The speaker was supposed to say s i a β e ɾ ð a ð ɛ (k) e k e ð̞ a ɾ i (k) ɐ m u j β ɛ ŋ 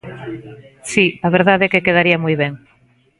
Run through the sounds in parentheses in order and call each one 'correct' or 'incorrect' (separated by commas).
correct, incorrect